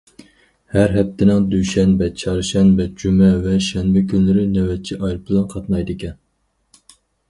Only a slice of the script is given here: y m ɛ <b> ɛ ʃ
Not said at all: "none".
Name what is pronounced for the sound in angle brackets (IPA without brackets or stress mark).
v